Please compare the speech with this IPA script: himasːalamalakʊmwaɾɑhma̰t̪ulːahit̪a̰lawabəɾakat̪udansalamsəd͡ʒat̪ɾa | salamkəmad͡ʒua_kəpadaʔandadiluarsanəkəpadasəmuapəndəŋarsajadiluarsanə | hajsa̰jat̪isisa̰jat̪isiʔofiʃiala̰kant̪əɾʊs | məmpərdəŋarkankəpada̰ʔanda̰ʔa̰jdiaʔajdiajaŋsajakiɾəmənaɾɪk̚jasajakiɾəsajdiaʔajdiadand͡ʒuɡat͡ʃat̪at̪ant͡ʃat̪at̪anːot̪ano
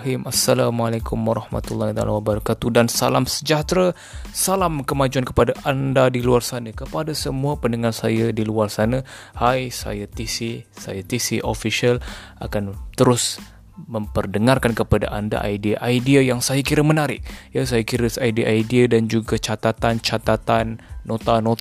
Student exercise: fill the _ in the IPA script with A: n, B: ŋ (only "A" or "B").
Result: A